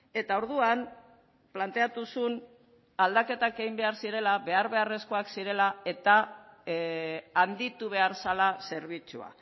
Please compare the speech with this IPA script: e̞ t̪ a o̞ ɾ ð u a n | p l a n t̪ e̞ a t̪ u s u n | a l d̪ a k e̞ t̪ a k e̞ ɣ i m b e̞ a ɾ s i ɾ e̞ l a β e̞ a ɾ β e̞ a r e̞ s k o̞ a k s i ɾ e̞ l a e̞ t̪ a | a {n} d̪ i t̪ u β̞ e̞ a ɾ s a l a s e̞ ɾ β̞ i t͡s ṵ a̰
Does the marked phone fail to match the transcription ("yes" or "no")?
no